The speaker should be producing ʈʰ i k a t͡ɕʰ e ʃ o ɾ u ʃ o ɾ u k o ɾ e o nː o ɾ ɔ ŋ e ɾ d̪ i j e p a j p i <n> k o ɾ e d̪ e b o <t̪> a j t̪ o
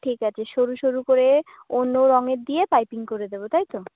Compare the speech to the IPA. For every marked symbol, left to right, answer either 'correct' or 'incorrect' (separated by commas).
incorrect, correct